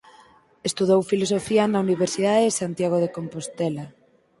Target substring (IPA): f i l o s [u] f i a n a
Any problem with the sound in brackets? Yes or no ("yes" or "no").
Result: yes